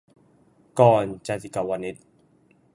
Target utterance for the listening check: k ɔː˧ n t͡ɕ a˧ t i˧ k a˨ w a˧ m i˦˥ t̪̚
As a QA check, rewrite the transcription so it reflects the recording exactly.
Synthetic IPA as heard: k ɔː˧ n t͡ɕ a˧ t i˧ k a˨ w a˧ n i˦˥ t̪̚